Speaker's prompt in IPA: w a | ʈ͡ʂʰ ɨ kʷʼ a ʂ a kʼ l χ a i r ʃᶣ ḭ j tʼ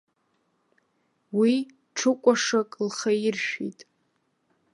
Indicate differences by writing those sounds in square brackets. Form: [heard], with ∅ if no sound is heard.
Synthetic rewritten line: w [i] | ʈ͡ʂʰ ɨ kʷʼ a ʂ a kʼ l χ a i r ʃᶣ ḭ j tʼ